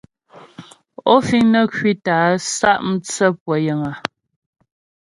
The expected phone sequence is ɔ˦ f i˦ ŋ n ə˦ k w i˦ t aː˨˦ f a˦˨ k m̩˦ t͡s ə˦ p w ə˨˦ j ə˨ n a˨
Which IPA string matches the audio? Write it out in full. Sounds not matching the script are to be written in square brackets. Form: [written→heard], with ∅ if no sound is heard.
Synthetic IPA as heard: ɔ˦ f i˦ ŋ n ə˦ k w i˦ t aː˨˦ [f→s] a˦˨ [k→ʔ] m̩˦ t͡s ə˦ p w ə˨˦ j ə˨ [n→ŋ] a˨